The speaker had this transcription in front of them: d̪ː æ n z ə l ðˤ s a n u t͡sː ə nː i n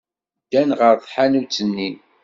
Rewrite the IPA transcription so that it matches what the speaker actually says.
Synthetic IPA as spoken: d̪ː æ n ʁ ə ɾ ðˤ ħ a n u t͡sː ə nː i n